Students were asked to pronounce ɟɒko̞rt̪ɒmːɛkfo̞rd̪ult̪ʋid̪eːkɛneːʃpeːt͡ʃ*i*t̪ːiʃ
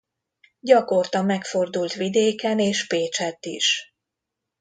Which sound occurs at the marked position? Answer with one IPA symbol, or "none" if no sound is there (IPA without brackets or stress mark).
ɛ